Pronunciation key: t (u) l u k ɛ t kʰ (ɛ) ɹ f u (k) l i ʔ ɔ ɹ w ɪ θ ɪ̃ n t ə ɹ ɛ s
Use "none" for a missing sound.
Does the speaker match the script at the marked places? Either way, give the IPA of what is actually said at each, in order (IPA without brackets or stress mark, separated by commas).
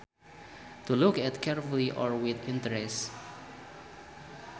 u, ɛ, none